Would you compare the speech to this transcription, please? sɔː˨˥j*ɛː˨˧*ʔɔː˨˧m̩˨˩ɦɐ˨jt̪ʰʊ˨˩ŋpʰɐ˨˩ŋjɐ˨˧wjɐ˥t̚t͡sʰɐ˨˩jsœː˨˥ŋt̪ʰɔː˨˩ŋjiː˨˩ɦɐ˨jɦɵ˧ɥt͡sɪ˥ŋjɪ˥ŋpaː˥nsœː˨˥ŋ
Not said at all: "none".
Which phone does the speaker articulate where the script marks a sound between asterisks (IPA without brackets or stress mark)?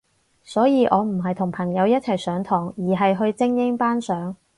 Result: iː˨˧